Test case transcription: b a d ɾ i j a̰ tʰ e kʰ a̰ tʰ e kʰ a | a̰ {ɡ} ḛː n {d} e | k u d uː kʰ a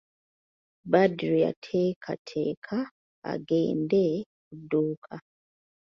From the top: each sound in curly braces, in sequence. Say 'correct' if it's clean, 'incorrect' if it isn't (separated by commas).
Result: correct, correct